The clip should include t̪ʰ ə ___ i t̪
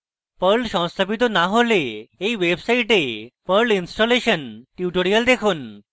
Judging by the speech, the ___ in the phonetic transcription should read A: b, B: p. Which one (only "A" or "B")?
B